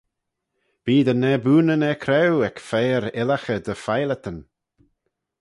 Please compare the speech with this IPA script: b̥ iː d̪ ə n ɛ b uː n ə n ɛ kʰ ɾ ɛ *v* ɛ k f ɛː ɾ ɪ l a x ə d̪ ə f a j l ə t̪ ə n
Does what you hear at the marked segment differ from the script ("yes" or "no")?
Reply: yes